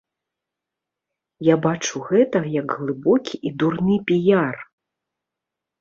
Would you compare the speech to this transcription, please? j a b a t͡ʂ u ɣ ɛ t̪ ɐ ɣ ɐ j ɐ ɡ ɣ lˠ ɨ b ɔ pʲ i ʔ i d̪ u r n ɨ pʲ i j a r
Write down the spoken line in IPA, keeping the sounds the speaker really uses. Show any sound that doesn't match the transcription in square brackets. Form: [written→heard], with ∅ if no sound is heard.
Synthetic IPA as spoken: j a b a t͡ʂ u ɣ ɛ t̪ ɐ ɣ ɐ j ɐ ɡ ɣ lˠ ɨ b ɔ [pʲ→kʲ] i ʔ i d̪ u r n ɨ pʲ i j a r